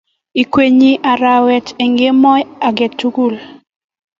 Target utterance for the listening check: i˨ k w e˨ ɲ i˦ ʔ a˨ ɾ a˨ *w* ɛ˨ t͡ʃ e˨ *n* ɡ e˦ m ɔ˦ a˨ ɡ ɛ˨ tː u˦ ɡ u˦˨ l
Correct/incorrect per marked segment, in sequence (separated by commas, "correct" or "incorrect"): correct, incorrect